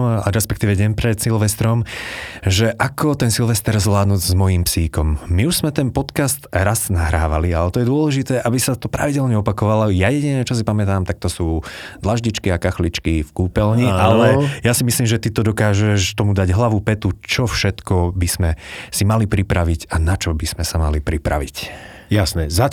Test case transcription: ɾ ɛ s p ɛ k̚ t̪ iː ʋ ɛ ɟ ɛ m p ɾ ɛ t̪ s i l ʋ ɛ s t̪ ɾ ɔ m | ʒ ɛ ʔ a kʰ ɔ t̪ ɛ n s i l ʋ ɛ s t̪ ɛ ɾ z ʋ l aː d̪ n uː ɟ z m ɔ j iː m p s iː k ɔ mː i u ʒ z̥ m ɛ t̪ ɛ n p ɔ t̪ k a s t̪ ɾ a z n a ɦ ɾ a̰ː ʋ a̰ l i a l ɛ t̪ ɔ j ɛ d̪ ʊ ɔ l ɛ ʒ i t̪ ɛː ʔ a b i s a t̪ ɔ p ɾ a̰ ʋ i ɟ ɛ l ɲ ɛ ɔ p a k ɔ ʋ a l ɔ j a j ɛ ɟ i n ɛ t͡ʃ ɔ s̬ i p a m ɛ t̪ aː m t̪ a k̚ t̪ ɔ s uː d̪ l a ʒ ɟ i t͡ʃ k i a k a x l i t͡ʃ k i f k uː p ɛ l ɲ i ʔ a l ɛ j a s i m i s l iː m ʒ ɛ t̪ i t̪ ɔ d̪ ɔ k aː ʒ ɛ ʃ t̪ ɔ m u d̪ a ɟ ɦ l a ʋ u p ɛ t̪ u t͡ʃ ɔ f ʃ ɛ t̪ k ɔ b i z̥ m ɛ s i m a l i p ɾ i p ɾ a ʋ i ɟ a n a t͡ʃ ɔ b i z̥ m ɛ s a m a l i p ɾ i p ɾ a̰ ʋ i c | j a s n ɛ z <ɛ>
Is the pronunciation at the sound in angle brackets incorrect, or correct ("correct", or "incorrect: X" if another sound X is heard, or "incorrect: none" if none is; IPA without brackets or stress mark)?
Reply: incorrect: a